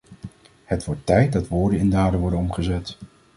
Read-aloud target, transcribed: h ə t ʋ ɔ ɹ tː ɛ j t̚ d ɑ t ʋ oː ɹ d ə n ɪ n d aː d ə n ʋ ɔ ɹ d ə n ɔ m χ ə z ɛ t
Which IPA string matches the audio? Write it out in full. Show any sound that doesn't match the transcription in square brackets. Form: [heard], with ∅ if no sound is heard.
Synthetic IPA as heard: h ə t ʋ ɔ ɹ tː ɛ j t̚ d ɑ t ʋ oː ɹ d ə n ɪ n d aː d ə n ʋ ɔ ɹ d ə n ɔ m χ ə z ɛ t